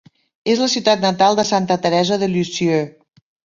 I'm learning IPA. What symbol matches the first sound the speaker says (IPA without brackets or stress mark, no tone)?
e